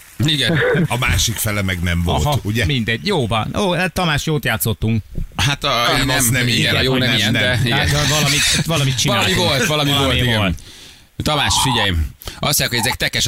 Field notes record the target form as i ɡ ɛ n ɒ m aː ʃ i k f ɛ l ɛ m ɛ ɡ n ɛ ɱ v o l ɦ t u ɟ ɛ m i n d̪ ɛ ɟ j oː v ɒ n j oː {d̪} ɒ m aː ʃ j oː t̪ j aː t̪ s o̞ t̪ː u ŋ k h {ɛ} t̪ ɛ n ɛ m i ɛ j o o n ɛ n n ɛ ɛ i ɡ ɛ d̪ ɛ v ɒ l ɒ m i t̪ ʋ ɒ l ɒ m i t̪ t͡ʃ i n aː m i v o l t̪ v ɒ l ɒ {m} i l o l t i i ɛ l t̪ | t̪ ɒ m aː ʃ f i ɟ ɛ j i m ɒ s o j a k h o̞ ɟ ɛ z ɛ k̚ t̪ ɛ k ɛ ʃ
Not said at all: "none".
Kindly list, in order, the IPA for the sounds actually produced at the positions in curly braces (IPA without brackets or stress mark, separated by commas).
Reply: t̪, a, m